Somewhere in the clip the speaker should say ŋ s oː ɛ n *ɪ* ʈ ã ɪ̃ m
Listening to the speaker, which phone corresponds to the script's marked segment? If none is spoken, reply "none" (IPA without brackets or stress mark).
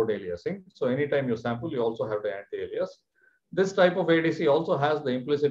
i